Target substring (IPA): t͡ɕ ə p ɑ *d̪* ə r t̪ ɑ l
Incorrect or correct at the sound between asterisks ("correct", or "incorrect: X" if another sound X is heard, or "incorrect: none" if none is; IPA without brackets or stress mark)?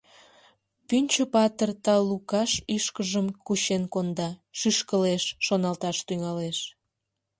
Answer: incorrect: t̪